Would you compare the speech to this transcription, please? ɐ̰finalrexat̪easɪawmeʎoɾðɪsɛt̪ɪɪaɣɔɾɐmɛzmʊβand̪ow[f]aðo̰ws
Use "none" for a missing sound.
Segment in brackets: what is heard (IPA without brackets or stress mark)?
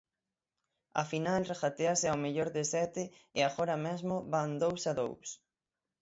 s